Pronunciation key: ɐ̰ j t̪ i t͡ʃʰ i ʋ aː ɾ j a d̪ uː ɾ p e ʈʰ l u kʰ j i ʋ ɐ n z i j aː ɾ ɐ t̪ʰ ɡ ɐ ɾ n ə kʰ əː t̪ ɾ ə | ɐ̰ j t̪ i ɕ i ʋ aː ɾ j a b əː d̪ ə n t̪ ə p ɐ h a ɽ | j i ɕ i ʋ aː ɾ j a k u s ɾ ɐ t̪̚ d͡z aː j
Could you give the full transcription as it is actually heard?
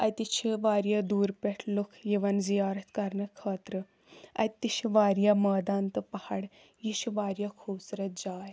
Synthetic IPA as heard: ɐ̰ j t̪ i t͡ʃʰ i ʋ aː ɾ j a d̪ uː ɾ p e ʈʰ l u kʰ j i ʋ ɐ n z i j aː ɾ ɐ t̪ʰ k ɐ ɾ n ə kʰ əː t̪ ɾ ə | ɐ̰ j t̪ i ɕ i ʋ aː ɾ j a m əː d̪ a n t̪ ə p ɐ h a ɽ | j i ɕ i ʋ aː ɾ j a kʰ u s ɾ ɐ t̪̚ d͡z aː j

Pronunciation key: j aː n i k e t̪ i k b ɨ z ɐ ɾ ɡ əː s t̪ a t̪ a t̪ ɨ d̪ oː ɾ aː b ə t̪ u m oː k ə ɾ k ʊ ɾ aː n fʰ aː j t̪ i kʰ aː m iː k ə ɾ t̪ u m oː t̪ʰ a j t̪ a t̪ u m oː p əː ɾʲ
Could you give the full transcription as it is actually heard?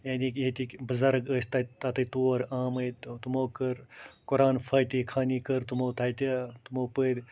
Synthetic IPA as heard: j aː n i k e t̪ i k b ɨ z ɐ ɾ ɡ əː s t̪ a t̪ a t̪ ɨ t̪ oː ɾ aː m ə t̪ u m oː k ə ɾ k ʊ ɾ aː n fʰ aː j t̪ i kʰ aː n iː k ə ɾ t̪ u m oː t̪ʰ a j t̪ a t̪ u m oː p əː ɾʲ

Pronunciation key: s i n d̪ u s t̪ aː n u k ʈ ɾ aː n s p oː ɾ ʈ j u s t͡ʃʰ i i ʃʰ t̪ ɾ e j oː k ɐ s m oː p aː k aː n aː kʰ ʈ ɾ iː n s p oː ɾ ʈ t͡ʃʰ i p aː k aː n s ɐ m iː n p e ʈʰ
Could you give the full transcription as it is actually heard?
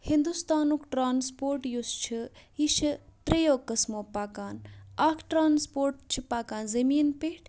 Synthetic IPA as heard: h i n d̪ u s t̪ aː n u k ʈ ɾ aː n s p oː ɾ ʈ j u s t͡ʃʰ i i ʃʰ t̪ ɾ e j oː k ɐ s m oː p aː k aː n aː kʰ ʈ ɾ aː n s p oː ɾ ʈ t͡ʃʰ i p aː k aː n z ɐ m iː n p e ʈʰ

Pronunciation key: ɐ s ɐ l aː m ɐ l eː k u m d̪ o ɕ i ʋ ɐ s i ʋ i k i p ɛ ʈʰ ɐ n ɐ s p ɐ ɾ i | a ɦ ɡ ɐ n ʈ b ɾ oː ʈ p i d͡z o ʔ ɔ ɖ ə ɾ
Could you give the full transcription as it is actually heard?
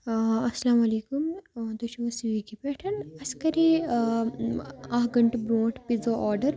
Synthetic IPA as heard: ɐ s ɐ l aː m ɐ l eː k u m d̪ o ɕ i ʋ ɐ s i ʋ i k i p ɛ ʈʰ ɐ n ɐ s k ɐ ɾ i | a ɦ ɡ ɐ ɳ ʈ b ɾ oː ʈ p i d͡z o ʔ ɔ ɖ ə ɾ

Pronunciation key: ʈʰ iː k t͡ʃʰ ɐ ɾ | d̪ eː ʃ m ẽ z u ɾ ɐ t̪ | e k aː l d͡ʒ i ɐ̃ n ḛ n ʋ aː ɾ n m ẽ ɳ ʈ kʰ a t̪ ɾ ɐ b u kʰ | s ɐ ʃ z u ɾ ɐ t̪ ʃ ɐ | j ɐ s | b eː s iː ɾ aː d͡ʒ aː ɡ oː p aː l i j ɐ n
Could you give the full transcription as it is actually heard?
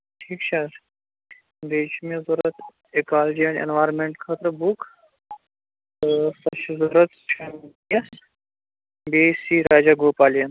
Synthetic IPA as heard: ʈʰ iː k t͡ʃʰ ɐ ɾ | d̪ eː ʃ m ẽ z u ɾ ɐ t̪ | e k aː l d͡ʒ i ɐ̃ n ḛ n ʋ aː ɾ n m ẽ ɳ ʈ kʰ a t̪ ɾ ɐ b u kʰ | s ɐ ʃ z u ɾ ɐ t̪ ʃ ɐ | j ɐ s | b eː s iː ɾ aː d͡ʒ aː ɡ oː p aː l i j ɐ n

